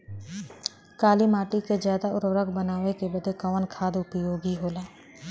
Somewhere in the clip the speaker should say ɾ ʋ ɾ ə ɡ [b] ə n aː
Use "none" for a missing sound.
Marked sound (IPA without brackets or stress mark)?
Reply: b